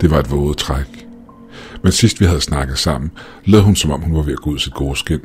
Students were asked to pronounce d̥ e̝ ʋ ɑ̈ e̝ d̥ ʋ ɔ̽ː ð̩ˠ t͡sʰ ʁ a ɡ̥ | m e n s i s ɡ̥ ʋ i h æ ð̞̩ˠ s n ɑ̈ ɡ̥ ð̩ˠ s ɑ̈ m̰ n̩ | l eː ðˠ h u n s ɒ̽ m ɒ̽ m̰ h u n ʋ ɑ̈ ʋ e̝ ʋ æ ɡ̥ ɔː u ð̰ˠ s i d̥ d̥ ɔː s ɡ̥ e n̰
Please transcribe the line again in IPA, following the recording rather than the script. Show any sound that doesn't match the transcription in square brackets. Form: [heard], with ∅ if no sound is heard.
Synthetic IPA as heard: d̥ e̝ ʋ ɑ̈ e̝ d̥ ʋ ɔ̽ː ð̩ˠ t͡sʰ ʁ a ɡ̥ | m e n s i s [d̥] ʋ i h æ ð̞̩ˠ s n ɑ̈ ɡ̥ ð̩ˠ s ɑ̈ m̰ n̩ | l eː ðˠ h u n s ɒ̽ m ɒ̽ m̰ h u n ʋ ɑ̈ ʋ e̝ [∅] æ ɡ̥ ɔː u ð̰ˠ s i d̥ [ɡ̥] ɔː s ɡ̥ e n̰